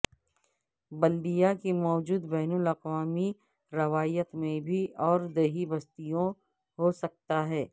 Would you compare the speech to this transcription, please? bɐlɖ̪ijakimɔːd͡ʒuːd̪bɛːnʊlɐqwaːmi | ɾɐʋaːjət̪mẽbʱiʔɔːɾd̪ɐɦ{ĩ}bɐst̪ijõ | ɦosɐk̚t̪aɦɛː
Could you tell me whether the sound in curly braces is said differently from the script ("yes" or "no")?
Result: yes